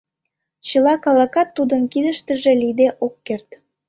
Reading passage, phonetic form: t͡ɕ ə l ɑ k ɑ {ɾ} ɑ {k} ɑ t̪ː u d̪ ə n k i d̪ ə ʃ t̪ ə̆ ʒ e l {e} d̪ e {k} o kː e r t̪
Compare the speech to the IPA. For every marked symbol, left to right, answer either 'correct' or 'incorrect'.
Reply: incorrect: l, correct, incorrect: i, incorrect: ʔ

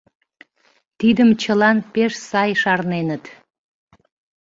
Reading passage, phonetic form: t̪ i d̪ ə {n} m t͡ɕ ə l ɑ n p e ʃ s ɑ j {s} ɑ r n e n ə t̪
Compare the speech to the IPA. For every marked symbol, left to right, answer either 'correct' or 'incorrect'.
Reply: incorrect: none, incorrect: ʃ

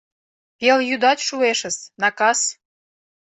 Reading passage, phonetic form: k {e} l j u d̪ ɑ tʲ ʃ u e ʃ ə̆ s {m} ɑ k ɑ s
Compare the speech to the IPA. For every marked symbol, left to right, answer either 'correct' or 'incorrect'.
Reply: correct, incorrect: n

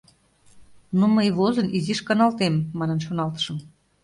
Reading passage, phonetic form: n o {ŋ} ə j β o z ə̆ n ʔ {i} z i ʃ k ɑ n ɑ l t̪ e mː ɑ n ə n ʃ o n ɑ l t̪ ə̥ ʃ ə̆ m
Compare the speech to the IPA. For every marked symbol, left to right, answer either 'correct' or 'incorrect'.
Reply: incorrect: m, correct

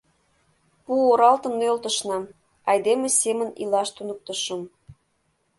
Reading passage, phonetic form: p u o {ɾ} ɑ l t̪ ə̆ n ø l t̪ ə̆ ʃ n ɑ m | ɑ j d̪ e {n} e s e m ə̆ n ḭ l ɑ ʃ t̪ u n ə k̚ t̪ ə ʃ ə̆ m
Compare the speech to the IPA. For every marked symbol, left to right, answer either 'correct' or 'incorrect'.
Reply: correct, incorrect: m

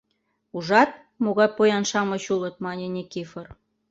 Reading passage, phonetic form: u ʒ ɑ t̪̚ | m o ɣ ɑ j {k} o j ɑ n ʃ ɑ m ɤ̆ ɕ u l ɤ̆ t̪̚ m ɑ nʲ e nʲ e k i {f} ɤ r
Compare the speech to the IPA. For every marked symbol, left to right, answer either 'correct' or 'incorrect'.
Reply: incorrect: p, correct

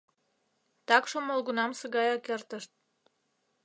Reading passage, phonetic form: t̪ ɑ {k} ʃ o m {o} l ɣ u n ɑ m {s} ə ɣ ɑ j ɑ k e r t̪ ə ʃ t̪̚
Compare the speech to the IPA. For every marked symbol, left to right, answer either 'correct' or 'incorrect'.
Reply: correct, correct, correct

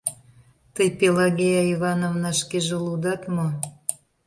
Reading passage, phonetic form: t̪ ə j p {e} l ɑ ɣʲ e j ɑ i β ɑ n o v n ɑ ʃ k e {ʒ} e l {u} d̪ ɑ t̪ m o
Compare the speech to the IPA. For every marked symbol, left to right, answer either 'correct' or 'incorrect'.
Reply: correct, correct, correct

